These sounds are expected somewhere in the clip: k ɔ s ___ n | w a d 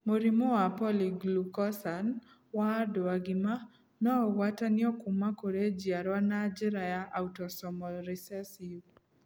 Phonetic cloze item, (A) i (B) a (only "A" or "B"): B